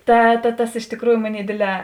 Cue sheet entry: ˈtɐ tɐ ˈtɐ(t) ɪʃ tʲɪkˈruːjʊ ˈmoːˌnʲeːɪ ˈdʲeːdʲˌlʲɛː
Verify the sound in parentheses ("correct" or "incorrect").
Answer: incorrect